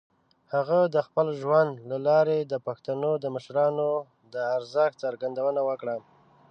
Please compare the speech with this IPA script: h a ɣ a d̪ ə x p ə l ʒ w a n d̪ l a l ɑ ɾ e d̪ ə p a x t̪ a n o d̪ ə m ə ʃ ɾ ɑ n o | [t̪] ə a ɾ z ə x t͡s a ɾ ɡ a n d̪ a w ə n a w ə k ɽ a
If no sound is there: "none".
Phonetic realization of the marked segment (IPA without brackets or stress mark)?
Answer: d̪